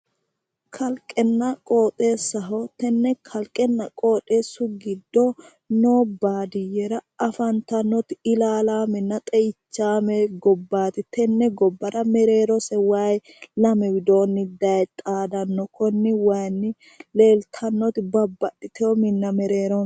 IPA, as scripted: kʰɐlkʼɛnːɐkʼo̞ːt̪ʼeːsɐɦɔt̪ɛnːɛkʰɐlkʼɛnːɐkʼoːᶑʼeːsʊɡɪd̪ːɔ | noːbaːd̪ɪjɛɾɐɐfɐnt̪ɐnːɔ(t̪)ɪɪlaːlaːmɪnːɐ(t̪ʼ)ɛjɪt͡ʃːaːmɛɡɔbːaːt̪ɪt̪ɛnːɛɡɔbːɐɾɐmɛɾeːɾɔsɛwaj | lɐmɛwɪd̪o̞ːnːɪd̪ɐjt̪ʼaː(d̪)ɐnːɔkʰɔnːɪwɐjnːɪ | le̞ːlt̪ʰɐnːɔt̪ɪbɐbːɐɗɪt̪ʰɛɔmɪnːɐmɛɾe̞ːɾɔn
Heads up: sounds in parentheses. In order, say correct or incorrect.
correct, correct, correct

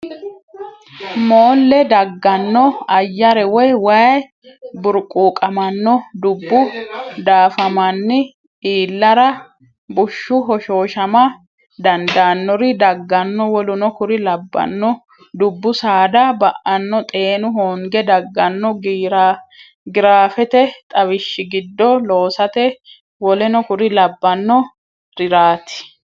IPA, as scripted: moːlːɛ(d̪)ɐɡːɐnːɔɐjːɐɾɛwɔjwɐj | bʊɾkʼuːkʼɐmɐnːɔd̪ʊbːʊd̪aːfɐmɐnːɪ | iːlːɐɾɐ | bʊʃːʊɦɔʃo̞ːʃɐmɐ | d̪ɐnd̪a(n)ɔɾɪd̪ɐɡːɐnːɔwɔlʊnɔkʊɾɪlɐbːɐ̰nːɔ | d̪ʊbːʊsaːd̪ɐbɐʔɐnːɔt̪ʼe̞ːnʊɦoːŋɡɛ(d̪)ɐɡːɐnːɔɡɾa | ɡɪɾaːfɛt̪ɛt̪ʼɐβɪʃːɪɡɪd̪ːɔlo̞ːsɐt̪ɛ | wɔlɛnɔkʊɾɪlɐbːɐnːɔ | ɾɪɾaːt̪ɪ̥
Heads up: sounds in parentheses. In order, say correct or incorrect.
correct, incorrect: nː, correct

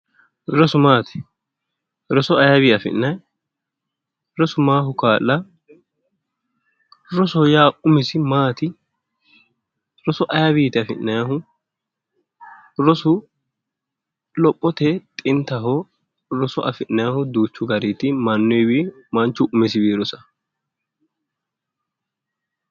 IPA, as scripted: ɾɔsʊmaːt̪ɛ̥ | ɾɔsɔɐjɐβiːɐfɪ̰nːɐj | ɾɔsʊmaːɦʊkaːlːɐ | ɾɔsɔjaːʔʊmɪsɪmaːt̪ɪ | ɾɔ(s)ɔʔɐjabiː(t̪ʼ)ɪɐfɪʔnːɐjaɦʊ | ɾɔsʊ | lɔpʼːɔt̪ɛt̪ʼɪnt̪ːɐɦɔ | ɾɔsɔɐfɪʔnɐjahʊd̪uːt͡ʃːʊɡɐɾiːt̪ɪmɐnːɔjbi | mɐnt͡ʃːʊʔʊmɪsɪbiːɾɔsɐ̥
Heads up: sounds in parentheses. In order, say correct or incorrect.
correct, incorrect: t̪

